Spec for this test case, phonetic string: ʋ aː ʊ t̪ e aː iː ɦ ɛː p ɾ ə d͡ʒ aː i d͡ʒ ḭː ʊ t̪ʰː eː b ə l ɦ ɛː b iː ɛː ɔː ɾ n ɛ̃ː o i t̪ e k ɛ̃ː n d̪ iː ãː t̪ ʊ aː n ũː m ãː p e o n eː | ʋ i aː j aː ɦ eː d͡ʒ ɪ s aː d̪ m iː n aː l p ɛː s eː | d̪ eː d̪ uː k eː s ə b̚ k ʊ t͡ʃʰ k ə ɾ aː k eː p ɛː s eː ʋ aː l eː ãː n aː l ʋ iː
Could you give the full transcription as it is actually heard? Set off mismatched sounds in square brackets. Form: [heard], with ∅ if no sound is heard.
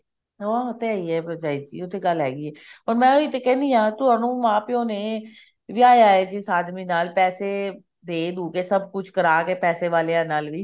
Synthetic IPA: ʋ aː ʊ t̪ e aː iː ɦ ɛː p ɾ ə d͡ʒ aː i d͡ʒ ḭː ʊ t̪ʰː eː [ɡ] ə l ɦ ɛː [ɡ] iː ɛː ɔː ɾ [m] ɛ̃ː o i t̪ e k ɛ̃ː n d̪ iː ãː t̪ ʊ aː n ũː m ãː p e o n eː | ʋ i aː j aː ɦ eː d͡ʒ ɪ s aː d̪ m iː n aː l p ɛː s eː | d̪ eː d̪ uː k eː s ə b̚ k ʊ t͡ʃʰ k ə ɾ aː k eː p ɛː s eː ʋ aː l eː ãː n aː l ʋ iː

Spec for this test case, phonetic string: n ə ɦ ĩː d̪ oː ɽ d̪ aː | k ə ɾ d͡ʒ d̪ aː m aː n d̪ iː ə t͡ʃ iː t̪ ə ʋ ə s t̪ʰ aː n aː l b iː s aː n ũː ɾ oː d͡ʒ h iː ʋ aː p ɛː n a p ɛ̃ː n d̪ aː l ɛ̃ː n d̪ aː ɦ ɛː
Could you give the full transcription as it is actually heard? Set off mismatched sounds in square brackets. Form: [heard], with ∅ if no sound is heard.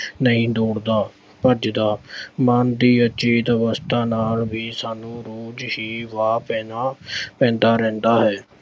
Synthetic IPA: n ə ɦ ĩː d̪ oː ɽ d̪ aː | [p] ə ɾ d͡ʒ d̪ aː m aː n d̪ iː ə t͡ʃ iː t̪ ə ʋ ə s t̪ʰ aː n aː l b iː s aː n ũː ɾ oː d͡ʒ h iː ʋ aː p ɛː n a p ɛ̃ː n d̪ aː [ɾ] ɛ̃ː n d̪ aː ɦ ɛː

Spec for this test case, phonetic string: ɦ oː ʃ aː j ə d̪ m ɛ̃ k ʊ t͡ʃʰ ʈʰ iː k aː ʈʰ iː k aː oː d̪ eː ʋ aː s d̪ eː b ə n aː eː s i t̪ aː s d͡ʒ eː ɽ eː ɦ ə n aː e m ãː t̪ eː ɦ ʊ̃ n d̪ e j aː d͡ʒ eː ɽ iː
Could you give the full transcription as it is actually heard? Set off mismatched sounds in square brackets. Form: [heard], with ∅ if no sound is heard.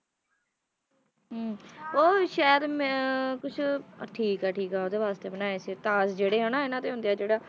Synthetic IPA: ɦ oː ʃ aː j ə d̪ m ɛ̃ k ʊ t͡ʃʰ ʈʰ iː k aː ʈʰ iː k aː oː d̪ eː ʋ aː s [t̪] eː b ə n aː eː s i t̪ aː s d͡ʒ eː ɽ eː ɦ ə n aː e [n] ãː t̪ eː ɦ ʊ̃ n d̪ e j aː d͡ʒ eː ɽ [aː]

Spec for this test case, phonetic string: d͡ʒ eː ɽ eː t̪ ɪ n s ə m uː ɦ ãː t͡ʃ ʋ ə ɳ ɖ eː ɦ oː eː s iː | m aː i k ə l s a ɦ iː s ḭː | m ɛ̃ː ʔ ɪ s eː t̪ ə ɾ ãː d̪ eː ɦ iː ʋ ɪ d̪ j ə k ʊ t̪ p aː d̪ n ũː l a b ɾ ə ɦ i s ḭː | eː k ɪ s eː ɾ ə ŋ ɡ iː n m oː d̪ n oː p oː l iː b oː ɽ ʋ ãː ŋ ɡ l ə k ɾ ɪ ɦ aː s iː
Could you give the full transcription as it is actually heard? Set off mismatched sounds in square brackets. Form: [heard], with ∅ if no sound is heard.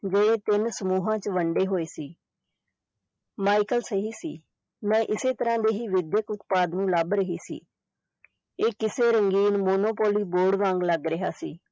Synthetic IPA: d͡ʒ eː ɽ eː t̪ ɪ n s ə m uː ɦ ãː t͡ʃ ʋ ə ɳ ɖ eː ɦ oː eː s iː | m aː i k ə l s [ə] ɦ iː s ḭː | m ɛ̃ː ʔ ɪ s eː t̪ ə ɾ ãː d̪ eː ɦ iː ʋ ɪ d̪ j ə k ʊ t̪ p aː d̪ n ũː l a b ɾ ə ɦ [iː] s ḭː | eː k ɪ s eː ɾ ə ŋ ɡ iː n m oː [∅] n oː p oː l iː b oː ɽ ʋ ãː ŋ ɡ l ə [ɡ] ɾ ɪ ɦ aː s iː

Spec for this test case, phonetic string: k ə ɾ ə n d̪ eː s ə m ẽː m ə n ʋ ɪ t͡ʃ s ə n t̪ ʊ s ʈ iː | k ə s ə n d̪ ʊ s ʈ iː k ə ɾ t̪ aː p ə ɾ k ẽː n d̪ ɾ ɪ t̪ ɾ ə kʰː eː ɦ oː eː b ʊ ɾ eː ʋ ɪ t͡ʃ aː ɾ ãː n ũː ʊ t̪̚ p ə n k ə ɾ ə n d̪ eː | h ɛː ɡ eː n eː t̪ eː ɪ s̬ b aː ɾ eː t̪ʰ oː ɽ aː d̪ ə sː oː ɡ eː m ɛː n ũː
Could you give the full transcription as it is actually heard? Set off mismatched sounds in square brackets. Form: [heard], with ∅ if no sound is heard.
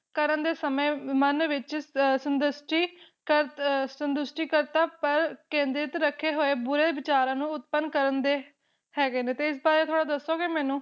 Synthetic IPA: k ə ɾ ə n d̪ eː s ə m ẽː m ə n ʋ ɪ t͡ʃ s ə n [d̪] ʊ s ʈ iː | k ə s ə n d̪ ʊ s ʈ iː k ə ɾ t̪ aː p ə ɾ k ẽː n d̪ ɾ ɪ t̪ ɾ ə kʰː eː ɦ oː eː b ʊ ɾ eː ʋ ɪ t͡ʃ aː ɾ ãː n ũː ʊ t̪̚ p ə n k ə ɾ ə n d̪ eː | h ɛː ɡ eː n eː t̪ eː ɪ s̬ b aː ɾ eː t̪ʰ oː ɽ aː d̪ ə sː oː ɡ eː m ɛː n ũː

